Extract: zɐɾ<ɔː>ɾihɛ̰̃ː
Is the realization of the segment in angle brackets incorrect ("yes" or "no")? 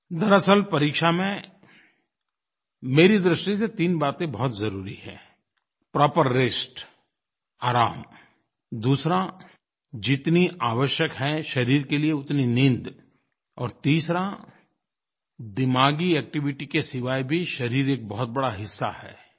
yes